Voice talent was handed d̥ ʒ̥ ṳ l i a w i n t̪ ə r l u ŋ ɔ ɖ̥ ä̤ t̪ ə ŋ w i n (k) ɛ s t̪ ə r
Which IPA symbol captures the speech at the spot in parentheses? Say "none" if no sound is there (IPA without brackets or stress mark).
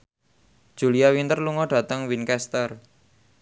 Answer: k